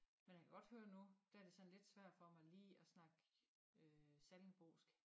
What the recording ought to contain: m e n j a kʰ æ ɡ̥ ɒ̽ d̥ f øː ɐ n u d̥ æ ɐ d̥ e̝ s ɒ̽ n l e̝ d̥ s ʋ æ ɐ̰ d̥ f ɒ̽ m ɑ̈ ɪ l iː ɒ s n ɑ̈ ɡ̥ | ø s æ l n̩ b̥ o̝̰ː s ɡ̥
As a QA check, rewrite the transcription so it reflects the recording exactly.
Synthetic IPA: m e n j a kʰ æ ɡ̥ ɒ̽ d̥ h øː ɐ n u d̥ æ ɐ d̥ e̝ s ɒ̽ n l e̝ d̥ s ʋ æ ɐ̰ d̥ f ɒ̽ m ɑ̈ ɪ l iː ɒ s n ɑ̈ ɡ̥ | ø s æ l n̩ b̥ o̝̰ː s ɡ̥